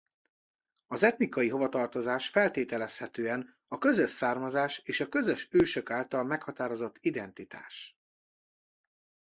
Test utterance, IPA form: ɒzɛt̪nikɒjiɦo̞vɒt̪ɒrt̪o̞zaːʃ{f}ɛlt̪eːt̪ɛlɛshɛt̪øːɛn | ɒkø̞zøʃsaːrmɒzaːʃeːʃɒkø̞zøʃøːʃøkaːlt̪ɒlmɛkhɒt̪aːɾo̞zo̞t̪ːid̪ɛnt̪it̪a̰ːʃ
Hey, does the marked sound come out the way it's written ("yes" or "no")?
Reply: yes